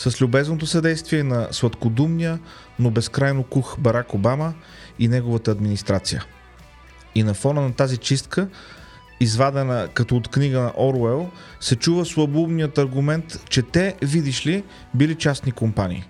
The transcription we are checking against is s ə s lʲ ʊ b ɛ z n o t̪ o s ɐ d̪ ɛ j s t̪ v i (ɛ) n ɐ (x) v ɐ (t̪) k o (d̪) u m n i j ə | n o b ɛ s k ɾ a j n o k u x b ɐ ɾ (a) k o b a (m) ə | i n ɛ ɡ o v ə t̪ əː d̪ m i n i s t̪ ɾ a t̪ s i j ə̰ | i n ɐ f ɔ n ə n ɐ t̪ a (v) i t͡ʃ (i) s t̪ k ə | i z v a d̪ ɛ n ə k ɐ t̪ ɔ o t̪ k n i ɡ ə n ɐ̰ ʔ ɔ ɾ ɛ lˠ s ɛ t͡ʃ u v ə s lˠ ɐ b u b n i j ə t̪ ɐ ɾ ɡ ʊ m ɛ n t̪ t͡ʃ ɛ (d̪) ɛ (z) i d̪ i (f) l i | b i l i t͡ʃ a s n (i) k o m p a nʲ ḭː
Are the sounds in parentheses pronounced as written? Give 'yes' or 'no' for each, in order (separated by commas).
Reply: yes, no, yes, yes, yes, yes, no, yes, no, no, no, yes